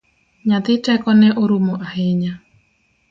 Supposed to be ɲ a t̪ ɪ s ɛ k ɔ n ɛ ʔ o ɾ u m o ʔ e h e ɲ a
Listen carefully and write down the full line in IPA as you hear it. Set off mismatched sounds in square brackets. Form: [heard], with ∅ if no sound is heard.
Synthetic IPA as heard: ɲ a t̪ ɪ [t] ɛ k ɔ n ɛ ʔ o ɾ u m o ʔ [a] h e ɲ a